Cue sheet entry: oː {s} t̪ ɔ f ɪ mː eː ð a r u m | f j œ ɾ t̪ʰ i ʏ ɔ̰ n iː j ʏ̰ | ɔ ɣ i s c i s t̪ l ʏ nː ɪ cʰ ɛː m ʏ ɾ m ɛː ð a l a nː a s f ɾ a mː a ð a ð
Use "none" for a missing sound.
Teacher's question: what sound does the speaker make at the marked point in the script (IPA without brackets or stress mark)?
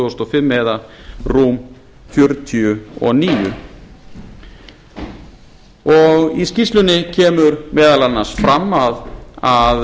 s